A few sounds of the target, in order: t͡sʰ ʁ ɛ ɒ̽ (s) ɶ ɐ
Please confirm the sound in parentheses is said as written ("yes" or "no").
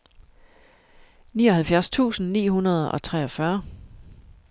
no